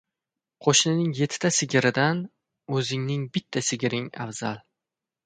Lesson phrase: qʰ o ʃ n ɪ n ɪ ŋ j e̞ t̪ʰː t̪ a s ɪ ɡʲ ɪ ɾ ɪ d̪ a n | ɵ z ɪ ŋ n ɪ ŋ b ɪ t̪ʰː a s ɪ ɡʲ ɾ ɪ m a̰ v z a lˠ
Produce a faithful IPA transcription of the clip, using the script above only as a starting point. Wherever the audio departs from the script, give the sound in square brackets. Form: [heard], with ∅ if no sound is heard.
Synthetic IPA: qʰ o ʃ n ɪ n ɪ ŋ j e̞ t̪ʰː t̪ a s ɪ ɡʲ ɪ ɾ ɪ d̪ a n | ɵ z ɪ ŋ n ɪ ŋ b ɪ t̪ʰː a s ɪ ɡʲ ɾ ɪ [ŋ] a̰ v z a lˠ